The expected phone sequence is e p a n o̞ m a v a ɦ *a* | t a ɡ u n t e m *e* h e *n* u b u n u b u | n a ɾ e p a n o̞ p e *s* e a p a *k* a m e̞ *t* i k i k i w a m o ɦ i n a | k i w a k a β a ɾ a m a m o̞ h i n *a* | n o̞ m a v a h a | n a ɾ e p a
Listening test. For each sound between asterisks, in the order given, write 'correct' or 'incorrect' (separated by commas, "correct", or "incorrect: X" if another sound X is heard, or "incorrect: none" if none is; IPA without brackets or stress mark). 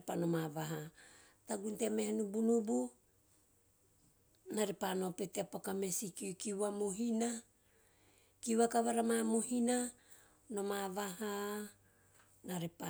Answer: correct, correct, correct, incorrect: t, correct, incorrect: s, correct